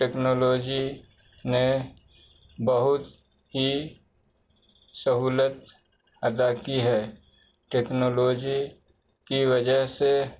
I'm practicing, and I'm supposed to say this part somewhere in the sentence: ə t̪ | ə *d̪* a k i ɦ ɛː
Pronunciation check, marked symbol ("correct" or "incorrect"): correct